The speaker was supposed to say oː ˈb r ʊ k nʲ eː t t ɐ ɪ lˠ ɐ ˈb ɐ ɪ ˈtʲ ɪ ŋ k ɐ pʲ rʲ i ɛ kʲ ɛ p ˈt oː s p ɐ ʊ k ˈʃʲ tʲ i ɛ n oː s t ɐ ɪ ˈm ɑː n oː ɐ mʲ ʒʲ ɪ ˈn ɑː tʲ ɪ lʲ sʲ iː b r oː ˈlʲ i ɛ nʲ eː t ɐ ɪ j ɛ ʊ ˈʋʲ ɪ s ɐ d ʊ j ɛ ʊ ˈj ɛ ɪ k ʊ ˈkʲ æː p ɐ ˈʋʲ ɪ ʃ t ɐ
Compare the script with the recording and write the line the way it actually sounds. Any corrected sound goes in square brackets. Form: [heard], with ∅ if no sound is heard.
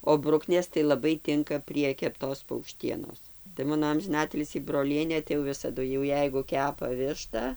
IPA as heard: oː ˈb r ʊ k nʲ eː [s] t ɐ ɪ lˠ ɐ ˈb ɐ ɪ ˈtʲ ɪ ŋ k ɐ pʲ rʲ i ɛ kʲ ɛ p ˈt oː s p ɐ ʊ k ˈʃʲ tʲ i ɛ n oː s t ɐ ɪ ˈm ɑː n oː ɐ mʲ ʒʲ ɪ ˈn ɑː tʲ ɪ lʲ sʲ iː b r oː ˈlʲ i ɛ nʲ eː t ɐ ɪ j ɛ ʊ ˈʋʲ ɪ s ɐ d ʊ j ɛ ʊ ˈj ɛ ɪ [ɡ] ʊ ˈkʲ æː p ɐ ˈʋʲ ɪ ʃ t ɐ